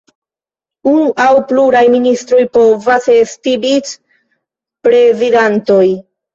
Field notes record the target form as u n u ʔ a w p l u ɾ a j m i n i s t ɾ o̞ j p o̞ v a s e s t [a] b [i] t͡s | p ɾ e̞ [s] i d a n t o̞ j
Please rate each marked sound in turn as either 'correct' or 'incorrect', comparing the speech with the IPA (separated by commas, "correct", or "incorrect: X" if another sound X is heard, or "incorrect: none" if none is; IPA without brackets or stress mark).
incorrect: i, correct, incorrect: z